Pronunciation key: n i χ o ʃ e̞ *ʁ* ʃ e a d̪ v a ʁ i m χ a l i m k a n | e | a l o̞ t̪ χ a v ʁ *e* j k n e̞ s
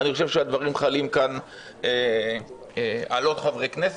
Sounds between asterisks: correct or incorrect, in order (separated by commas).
incorrect, correct